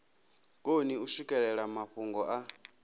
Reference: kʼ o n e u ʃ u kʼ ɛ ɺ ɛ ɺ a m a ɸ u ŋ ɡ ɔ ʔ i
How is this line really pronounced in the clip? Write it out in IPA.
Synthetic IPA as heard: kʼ o n i u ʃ u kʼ ɛ ɺ ɛ ɺ a m a ɸ u ŋ ɡ ɔ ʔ a